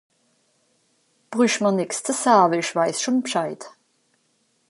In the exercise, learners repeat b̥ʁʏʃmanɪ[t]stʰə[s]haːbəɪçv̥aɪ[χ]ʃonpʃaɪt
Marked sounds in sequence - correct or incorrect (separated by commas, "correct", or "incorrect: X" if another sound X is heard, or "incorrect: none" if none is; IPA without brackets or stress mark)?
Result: incorrect: k, correct, incorrect: s